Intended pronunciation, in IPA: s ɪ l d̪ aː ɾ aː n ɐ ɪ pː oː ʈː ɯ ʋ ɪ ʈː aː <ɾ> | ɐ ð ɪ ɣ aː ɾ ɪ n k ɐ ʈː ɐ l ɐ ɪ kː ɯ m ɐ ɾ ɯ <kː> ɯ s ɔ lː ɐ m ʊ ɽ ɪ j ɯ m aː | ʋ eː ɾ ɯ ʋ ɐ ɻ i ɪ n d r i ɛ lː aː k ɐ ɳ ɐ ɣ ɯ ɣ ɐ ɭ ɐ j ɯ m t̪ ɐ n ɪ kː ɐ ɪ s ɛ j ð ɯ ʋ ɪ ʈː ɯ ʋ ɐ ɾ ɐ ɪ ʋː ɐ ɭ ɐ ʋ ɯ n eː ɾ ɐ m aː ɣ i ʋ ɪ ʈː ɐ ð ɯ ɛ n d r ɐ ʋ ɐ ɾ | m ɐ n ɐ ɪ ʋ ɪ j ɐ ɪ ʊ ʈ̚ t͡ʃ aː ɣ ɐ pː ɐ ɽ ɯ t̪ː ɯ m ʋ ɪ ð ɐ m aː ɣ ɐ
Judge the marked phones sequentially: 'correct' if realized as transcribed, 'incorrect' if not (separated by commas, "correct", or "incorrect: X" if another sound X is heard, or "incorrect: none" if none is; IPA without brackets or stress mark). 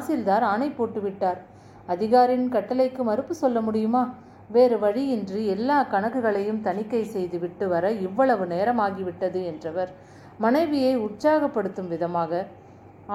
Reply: correct, incorrect: pː